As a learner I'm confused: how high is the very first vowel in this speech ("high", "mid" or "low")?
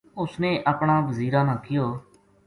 high